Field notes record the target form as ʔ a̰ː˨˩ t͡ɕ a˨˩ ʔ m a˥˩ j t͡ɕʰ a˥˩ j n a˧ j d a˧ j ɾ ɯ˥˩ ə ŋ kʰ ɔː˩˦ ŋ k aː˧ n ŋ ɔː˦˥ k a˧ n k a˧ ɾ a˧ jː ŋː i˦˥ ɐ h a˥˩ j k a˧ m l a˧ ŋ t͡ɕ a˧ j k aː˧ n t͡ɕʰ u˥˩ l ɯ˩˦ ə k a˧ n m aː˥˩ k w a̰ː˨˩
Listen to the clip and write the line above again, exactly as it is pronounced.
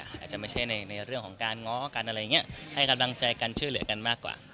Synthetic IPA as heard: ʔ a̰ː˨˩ t͡ɕ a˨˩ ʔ m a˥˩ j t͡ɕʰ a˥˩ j n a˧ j n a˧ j ɾ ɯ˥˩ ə ŋ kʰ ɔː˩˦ ŋ k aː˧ n ŋ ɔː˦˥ k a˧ n ʔ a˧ ɾ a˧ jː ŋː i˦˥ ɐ h a˥˩ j k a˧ m l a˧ ŋ t͡ɕ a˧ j k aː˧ n t͡ɕʰ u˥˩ l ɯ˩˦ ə k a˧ n m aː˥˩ k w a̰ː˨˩